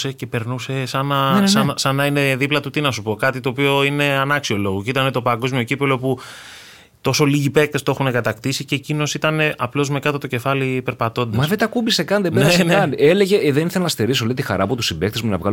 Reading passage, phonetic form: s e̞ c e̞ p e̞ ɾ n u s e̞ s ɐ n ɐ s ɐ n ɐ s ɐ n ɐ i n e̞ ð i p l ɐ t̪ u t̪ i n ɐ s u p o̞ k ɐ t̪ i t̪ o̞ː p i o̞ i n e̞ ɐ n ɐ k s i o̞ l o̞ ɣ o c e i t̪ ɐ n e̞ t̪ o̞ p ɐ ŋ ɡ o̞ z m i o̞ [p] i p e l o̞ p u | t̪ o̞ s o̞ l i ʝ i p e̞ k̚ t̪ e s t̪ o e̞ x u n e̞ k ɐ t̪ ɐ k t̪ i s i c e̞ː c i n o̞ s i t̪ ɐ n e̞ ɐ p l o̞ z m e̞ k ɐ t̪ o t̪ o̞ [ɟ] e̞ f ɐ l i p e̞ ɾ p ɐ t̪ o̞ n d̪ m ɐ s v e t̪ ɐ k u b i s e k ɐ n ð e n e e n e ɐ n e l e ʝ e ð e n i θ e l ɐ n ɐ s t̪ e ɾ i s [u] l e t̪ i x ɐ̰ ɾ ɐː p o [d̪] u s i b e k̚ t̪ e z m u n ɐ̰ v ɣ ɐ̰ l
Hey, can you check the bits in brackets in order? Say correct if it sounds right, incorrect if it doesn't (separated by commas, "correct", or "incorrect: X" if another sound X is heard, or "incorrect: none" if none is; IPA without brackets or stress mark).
incorrect: c, incorrect: c, incorrect: o, incorrect: t̪